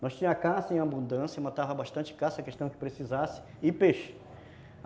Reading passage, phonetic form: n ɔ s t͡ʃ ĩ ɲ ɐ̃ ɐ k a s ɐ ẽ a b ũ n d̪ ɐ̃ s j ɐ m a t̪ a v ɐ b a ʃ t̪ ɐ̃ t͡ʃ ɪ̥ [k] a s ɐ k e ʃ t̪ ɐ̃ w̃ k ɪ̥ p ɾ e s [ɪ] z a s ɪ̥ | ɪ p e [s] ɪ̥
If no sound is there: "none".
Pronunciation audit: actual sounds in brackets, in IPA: k, i, ʃ

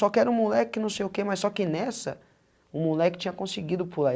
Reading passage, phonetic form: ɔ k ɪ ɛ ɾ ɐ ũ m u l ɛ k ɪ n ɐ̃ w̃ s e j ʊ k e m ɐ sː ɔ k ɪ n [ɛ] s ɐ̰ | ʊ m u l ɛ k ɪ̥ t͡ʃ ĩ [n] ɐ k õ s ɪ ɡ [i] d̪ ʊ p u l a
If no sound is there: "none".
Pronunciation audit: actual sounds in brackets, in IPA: ɛ, ɲ, i

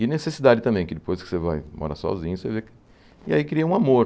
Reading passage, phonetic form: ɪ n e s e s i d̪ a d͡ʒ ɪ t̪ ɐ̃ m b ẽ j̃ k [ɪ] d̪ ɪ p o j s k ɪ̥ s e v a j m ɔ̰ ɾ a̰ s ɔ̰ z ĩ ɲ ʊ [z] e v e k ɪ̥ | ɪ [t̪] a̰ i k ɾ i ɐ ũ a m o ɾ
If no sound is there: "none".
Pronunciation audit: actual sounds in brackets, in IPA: ɪ, s, none

